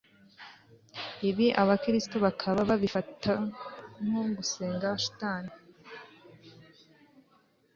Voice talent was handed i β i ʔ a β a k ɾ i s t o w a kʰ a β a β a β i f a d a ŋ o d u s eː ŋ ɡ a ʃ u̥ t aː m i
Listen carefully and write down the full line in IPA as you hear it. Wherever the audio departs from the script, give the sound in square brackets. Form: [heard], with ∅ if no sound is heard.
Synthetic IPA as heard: i β i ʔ a β a k ɾ i s t o [β] a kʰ a β a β a β i f a [t] a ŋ o [ɡ] u s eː ŋ ɡ a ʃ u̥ t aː [n] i